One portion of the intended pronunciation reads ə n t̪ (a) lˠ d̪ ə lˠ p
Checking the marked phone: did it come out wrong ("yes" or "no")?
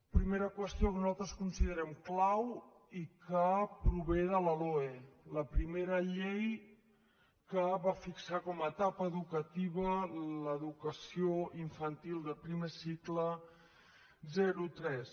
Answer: yes